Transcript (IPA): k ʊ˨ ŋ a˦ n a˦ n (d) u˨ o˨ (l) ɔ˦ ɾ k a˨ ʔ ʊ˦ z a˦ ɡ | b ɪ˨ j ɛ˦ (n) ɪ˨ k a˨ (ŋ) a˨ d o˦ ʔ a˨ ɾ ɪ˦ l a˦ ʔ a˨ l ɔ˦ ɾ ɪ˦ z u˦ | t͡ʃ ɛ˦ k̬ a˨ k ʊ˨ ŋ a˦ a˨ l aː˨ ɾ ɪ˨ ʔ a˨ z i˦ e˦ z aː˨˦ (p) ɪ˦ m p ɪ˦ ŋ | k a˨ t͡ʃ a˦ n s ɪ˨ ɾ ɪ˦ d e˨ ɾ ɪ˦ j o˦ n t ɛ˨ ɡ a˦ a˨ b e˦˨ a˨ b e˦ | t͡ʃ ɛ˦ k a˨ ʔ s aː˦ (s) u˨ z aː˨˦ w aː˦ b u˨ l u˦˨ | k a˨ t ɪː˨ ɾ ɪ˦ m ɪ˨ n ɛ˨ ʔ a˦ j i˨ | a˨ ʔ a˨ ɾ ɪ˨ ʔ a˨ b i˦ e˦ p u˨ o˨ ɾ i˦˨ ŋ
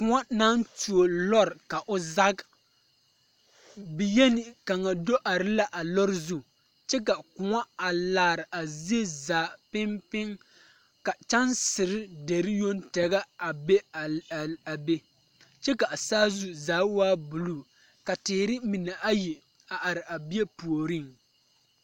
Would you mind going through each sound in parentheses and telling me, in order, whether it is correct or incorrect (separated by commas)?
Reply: incorrect, correct, correct, correct, correct, incorrect